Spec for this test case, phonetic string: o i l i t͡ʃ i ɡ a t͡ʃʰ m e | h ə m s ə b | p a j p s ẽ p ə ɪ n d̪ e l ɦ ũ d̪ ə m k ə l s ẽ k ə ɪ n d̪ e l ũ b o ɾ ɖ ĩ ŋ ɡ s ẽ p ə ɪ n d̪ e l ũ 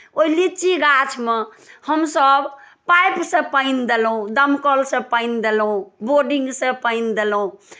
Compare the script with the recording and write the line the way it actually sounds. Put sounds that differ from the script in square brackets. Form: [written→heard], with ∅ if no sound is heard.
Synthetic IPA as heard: o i l i t͡ʃ i ɡ a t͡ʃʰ m e | h ə m s ə b | p a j p s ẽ p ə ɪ n d̪ e l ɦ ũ d̪ ə m k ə l s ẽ [k→p] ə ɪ n d̪ e l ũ b o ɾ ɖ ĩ ŋ ɡ s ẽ p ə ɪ n d̪ e l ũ